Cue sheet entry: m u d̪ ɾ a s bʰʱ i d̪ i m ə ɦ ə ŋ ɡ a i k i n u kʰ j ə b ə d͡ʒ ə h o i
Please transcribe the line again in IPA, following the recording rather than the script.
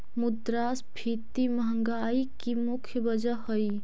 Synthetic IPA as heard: m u d̪ ɾ a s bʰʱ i t̪ i m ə ɦ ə ŋ ɡ a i k i m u kʰ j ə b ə d͡ʒ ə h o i